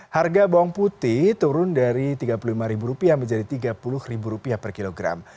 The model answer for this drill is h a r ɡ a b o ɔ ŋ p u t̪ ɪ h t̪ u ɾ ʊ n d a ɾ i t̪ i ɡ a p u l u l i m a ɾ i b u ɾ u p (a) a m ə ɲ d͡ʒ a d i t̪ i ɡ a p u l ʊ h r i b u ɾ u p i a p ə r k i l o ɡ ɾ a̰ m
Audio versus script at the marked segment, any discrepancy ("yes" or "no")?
yes